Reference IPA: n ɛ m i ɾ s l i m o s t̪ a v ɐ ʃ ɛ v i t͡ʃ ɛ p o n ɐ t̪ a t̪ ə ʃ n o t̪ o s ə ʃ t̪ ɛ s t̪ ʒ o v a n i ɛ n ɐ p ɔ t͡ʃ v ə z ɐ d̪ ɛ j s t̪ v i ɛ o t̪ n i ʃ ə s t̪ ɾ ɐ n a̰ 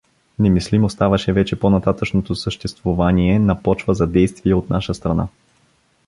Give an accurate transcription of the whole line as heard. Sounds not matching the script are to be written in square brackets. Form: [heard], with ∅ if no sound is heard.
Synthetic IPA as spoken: n ɛ m i [∅] s l i m o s t̪ a v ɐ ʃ ɛ v [ɛ] t͡ʃ ɛ p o n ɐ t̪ a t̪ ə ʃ n o t̪ o s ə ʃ t̪ ɛ s t̪ [v] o v a n i ɛ n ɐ p ɔ t͡ʃ v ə z ɐ d̪ ɛ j s t̪ v i ɛ o t̪ n [a] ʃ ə s t̪ ɾ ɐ n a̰